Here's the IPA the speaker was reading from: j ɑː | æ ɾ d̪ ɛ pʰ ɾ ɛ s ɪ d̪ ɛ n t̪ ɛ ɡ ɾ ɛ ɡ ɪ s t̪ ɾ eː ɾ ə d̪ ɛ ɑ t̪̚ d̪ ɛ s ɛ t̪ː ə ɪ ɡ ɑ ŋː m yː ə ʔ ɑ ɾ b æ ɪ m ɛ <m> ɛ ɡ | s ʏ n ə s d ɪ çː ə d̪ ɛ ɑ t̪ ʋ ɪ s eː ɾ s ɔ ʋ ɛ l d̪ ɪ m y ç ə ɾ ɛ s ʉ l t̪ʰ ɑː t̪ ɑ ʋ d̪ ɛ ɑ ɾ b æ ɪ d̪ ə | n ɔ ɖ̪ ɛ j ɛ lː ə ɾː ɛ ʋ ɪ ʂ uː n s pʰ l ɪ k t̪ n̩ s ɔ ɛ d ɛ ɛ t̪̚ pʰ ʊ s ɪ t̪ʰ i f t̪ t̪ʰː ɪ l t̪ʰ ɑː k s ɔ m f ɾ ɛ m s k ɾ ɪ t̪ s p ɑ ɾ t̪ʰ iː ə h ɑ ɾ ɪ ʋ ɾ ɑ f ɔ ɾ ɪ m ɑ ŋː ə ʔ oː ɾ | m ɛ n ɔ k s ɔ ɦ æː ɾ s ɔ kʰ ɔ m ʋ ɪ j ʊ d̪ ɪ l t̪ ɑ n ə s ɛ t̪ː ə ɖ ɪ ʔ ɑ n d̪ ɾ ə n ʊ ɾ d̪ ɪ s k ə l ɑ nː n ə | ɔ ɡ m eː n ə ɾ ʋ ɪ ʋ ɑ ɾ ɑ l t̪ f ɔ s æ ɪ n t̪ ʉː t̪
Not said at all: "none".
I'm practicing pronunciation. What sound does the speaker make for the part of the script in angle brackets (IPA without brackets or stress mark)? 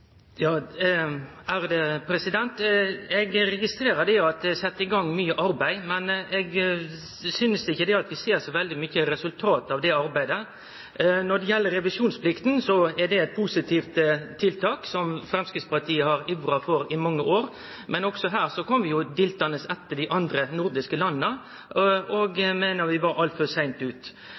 n